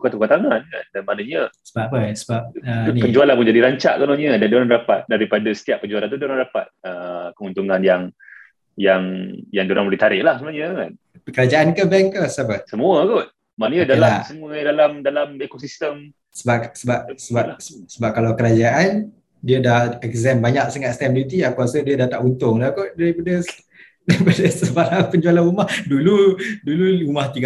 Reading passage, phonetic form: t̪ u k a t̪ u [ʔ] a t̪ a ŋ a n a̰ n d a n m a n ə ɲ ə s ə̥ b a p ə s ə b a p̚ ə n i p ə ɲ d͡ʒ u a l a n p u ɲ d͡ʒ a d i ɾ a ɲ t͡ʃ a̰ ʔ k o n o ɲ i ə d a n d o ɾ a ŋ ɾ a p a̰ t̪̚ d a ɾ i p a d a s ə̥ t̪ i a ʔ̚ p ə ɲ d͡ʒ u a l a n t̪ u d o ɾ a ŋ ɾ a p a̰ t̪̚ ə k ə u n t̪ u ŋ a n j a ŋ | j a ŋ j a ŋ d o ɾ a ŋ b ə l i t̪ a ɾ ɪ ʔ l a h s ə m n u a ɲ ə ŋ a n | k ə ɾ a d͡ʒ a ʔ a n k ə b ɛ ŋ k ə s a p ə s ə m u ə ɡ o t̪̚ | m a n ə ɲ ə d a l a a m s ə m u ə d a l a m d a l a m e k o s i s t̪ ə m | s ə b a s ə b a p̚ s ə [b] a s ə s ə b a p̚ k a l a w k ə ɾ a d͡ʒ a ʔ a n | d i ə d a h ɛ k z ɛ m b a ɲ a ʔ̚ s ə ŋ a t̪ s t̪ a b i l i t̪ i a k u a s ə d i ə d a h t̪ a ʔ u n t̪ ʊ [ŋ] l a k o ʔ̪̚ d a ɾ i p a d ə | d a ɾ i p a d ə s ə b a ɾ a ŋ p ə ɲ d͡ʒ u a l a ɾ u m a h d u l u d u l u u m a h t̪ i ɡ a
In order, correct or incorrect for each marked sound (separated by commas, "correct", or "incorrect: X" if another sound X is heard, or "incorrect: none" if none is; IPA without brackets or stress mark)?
incorrect: k, correct, correct